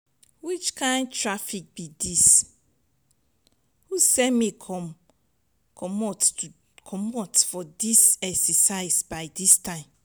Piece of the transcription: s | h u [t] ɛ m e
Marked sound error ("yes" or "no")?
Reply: yes